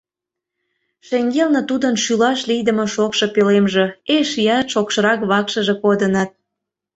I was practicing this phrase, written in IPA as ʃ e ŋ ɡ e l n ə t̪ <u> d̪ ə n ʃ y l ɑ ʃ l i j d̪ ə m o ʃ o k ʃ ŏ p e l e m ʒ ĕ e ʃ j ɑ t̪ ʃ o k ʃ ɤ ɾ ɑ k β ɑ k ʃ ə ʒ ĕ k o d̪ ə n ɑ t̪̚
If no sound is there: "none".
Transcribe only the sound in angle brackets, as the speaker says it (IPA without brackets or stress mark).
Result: u